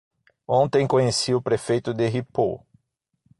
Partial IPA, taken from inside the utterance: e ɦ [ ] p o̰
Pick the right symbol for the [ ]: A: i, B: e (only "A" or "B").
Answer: A